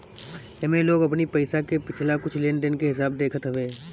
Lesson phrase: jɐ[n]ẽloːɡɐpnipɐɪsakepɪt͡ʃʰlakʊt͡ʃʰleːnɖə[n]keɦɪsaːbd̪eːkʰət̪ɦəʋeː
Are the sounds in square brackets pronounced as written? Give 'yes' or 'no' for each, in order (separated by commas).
no, yes